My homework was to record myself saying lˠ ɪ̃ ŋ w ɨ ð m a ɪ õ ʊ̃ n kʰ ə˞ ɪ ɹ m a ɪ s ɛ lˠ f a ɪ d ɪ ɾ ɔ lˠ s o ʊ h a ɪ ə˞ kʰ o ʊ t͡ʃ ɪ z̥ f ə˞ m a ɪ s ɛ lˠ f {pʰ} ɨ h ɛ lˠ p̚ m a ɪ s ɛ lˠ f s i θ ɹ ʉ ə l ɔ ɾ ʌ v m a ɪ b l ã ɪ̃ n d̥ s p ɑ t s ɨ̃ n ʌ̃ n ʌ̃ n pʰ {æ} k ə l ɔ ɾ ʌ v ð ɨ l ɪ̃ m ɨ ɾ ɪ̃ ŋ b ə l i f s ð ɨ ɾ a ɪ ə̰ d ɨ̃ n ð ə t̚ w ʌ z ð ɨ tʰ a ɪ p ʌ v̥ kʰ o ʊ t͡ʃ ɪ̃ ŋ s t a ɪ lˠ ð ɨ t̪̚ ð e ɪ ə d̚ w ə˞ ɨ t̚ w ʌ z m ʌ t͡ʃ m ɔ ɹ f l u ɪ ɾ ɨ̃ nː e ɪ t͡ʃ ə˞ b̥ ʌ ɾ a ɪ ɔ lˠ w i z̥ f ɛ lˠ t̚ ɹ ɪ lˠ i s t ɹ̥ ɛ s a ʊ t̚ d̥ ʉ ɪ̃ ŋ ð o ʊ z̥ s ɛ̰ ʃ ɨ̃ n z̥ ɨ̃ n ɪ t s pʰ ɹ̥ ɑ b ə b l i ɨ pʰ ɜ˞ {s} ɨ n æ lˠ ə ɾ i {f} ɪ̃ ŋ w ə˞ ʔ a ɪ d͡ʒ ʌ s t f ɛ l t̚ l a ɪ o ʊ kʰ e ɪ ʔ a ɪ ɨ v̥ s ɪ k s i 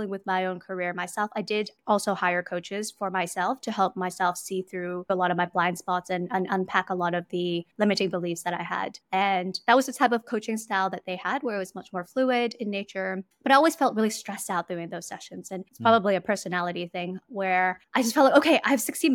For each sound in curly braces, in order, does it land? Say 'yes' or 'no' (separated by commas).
no, yes, yes, no